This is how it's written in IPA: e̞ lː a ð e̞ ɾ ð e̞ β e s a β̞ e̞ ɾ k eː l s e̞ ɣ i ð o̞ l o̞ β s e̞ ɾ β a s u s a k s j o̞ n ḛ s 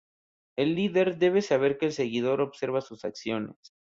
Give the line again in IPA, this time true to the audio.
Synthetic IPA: e̞ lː i ð e̞ ɾ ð e̞ β e s a β̞ e̞ ɾ k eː l s e̞ ɣ i ð o̞ ɾ o̞ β s e̞ ɾ β a s u s a k s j o̞ n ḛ s